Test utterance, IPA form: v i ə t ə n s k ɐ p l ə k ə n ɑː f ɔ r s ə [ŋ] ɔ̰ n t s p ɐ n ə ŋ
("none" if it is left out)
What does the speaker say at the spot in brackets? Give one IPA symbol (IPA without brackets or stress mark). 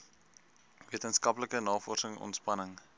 ŋ